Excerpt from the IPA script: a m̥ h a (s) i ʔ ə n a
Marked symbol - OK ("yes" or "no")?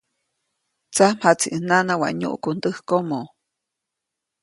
no